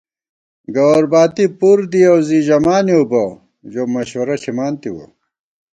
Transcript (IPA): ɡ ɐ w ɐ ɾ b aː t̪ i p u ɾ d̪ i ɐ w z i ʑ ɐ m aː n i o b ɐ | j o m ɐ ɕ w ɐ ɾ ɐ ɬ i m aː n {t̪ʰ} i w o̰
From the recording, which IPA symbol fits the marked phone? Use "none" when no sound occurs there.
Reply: t̪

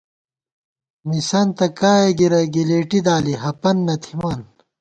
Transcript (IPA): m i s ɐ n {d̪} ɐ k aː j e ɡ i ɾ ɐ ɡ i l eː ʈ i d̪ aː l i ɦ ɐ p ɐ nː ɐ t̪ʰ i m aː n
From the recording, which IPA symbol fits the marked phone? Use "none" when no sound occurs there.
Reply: t̪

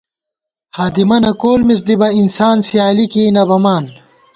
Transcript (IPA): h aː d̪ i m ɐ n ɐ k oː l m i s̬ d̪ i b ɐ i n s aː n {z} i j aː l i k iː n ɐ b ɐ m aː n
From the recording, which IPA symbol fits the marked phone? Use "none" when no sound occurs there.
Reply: s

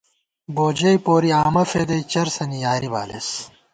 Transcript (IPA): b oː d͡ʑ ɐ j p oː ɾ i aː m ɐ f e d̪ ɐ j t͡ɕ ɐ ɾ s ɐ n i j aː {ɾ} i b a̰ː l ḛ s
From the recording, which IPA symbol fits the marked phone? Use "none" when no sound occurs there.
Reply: ɾ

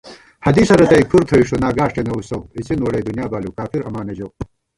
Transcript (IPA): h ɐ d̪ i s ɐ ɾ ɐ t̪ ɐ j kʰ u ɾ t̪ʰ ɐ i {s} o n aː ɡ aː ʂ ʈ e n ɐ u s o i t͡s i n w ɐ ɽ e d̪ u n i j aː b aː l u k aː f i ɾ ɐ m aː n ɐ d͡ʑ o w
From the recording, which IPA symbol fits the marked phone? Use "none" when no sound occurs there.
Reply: ʂ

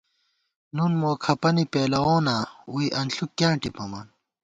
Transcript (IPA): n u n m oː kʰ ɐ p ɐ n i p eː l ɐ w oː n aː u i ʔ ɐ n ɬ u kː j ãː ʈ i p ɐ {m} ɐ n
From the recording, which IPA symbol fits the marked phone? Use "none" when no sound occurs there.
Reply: m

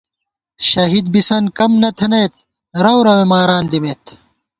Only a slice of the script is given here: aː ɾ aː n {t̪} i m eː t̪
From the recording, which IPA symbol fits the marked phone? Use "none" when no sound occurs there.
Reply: d̪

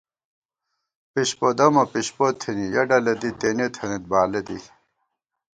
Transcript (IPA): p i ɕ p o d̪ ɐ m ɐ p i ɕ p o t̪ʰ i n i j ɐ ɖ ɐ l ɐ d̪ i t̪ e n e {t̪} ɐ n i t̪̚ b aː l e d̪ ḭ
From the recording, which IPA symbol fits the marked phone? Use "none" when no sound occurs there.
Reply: t̪ʰ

